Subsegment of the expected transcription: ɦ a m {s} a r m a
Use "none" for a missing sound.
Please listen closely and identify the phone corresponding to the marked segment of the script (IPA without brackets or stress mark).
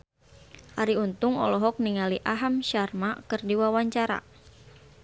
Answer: ʃ